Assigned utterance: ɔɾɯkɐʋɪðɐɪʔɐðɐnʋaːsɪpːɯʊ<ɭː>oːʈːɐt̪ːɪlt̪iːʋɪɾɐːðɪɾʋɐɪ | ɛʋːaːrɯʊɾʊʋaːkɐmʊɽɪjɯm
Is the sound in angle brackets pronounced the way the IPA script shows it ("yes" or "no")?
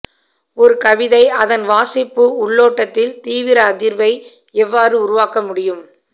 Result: yes